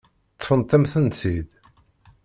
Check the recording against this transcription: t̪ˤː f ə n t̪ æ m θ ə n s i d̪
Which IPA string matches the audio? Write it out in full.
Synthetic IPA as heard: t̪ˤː f ə n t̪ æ m θ ə n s i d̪